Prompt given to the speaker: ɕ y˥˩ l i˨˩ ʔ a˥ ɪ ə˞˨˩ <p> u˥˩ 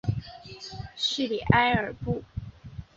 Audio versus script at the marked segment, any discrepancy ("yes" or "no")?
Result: no